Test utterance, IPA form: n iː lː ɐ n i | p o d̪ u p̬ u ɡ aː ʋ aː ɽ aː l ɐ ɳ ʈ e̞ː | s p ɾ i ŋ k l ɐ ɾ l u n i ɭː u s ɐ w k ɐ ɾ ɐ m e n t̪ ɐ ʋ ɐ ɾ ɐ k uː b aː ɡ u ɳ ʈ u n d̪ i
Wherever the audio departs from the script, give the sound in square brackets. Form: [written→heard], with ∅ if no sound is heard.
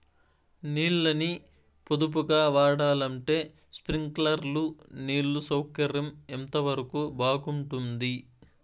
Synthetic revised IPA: n iː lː ɐ n i | p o d̪ u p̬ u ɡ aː ʋ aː ɽ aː l ɐ ɳ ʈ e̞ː | s p ɾ i ŋ k l ɐ ɾ l u n [i→iː] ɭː u s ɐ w k ɐ ɾ ɐ m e n t̪ ɐ ʋ ɐ ɾ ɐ k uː b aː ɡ u ɳ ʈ u n d̪ i